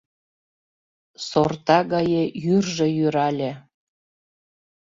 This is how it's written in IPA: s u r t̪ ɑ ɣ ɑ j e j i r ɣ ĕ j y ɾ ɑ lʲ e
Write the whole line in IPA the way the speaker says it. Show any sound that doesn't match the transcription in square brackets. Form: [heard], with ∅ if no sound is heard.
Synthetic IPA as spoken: s [o] r t̪ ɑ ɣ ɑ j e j [y] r [ʒ] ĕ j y ɾ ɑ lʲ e